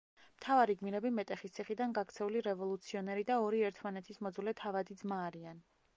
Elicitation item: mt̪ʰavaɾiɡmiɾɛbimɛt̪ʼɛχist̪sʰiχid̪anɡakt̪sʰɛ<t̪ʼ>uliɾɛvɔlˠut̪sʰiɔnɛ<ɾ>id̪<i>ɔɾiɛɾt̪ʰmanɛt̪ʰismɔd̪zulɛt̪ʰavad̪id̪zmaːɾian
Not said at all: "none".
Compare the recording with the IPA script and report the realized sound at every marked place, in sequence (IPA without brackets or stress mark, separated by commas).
none, ɾ, a